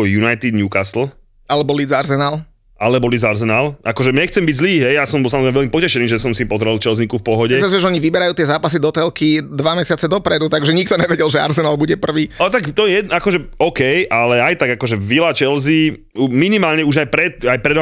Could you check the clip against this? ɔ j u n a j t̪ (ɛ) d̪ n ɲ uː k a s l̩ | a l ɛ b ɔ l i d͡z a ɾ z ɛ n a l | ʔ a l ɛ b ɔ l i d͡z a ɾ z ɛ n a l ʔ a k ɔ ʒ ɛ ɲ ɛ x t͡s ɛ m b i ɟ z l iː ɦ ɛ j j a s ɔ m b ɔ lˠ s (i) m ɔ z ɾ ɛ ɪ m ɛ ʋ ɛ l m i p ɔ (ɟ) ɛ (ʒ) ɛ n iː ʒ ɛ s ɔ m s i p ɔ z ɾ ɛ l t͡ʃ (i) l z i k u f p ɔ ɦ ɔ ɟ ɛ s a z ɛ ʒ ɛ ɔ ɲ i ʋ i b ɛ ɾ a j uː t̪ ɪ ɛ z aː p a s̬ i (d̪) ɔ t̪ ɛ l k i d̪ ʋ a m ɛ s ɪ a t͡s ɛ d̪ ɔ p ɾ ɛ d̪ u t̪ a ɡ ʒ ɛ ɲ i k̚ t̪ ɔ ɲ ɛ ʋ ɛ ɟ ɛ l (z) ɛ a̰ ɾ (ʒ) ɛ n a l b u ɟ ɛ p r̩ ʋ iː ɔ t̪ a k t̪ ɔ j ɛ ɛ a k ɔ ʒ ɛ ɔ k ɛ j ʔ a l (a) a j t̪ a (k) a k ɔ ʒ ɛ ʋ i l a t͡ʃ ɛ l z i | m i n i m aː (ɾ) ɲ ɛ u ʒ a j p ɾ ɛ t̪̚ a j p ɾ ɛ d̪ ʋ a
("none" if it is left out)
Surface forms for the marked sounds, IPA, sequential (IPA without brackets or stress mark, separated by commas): i, a, c, ʃ, ɛ, d̪, ʒ, z, ɛ, ɡ, l